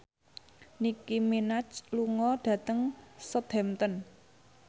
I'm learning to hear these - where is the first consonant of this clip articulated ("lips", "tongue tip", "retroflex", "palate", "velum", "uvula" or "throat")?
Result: tongue tip